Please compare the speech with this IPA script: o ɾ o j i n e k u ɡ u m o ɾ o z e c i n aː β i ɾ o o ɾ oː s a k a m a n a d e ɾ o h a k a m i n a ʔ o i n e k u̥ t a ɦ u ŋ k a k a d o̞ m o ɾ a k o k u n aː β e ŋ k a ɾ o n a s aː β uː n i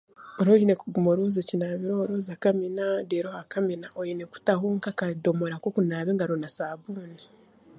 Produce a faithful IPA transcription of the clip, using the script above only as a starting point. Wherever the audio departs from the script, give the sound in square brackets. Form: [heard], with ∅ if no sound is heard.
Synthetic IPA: o ɾ o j i n e k u ɡ u m o ɾ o z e c i n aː β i ɾ o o ɾ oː [z] a k a m [i] n a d e ɾ o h a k a m i n a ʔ o i n e k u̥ t a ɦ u ŋ k a k a d o̞ m o ɾ a k o k u n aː β e ŋ [ɡ] a ɾ o n a s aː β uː n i